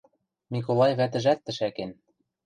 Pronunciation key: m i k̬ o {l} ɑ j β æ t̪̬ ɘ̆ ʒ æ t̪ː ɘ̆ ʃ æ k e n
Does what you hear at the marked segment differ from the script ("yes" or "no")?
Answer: no